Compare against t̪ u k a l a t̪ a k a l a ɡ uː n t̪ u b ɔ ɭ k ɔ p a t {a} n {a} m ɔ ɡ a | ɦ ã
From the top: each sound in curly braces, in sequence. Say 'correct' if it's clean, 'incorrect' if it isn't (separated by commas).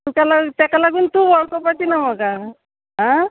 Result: incorrect, correct